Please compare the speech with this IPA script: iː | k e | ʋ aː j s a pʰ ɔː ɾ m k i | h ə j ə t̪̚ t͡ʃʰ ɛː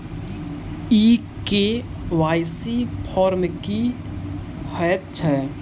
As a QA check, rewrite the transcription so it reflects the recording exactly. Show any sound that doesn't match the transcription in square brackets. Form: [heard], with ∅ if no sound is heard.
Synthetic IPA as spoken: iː | k e | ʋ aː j s [i] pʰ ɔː ɾ m k i | h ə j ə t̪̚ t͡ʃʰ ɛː